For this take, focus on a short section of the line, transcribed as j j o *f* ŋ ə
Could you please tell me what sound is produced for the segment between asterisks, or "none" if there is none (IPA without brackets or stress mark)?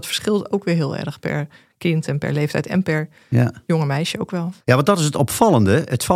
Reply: none